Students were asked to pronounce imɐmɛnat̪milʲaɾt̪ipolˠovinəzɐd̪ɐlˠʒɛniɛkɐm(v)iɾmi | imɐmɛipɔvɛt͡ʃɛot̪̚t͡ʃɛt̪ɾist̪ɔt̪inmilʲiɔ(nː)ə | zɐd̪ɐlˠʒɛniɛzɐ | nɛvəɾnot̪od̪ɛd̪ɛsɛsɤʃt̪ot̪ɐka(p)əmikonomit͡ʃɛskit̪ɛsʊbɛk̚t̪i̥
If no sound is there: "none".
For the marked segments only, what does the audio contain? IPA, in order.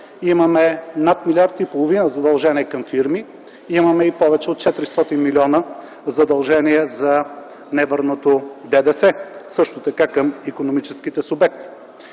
f, n, k

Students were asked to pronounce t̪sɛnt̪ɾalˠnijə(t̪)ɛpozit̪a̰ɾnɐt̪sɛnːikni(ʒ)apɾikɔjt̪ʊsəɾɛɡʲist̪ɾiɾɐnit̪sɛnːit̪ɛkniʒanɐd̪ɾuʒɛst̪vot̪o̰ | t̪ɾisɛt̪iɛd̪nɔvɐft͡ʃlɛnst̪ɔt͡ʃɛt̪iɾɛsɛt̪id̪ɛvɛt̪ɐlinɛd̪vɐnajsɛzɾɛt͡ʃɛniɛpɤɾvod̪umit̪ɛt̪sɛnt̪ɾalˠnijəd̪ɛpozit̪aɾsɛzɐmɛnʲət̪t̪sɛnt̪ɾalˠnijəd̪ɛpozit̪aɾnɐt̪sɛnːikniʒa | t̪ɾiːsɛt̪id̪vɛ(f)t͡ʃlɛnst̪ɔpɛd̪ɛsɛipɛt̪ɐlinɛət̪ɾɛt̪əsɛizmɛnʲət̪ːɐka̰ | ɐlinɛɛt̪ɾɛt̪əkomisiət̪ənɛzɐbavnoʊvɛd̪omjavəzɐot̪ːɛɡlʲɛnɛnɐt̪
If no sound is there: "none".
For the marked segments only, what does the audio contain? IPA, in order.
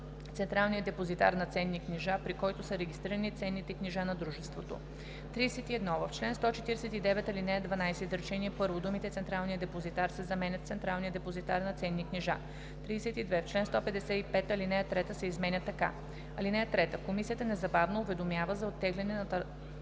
d̪, ʒ, f

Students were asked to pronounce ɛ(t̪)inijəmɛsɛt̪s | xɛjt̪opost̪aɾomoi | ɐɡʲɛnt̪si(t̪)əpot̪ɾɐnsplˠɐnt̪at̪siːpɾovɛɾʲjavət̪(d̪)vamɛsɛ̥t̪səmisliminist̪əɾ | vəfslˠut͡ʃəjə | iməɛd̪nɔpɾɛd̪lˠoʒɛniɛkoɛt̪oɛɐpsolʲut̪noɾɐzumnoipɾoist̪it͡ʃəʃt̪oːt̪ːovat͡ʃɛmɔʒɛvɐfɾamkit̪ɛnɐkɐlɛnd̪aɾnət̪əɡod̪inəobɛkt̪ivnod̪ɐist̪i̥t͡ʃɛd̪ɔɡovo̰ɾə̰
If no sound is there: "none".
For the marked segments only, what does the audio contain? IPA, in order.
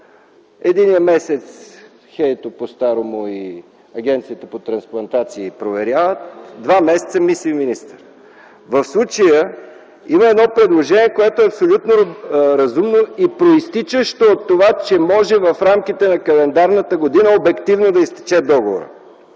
d̪, t̪, d̪

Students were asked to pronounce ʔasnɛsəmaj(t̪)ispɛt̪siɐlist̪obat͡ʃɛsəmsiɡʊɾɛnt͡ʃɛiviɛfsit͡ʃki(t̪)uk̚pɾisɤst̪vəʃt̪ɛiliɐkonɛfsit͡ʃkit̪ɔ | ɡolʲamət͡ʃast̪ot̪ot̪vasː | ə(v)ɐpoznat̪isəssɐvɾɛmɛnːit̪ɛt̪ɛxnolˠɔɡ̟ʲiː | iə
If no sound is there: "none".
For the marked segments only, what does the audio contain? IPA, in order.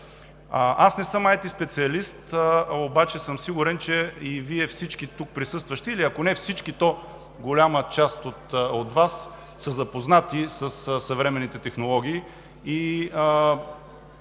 t̪, t̪, z

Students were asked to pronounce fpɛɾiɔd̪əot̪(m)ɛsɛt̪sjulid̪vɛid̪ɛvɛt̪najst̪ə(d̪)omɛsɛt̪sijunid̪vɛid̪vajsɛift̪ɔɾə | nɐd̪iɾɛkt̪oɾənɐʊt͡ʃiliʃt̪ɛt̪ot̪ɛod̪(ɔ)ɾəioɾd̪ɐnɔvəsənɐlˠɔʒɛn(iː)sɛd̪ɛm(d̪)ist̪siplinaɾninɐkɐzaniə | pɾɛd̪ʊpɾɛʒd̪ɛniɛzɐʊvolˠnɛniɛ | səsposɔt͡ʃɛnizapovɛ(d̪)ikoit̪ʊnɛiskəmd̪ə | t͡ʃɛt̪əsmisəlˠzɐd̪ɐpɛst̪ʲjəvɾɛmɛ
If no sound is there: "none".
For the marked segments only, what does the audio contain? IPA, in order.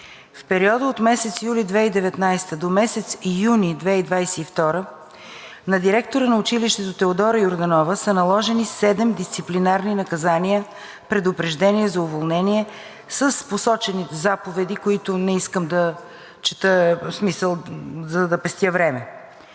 m, d̪, ɔ, i, d̪, d̪

